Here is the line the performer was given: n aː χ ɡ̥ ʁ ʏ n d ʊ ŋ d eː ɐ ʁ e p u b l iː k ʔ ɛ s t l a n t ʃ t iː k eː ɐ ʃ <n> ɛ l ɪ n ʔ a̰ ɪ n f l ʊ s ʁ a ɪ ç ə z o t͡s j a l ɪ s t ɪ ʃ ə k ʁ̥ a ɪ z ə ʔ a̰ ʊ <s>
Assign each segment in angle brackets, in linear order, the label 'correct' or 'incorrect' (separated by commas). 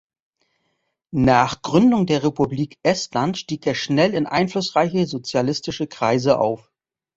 correct, incorrect